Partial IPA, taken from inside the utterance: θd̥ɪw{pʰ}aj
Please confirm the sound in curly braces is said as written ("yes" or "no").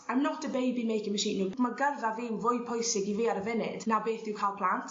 no